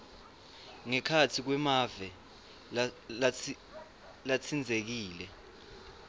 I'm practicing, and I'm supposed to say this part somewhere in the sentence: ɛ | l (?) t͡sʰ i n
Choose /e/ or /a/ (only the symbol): a